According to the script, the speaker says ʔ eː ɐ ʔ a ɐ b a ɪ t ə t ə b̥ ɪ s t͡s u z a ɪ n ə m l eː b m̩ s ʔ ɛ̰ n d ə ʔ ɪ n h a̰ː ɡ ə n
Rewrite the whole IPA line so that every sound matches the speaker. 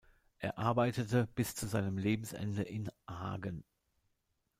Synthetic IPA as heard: ʔ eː ɐ ʔ a ɐ b a ɪ t ə t ə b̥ ɪ s t͡s u z a ɪ n ə m l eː b m̩ s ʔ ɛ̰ n d ə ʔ ɪ n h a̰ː ɡ ə n